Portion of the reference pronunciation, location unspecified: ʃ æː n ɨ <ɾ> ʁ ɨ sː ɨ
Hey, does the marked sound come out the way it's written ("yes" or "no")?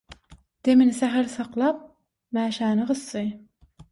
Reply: no